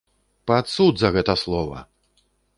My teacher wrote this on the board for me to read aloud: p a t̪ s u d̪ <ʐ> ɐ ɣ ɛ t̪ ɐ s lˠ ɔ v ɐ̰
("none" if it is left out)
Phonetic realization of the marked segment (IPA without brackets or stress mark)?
z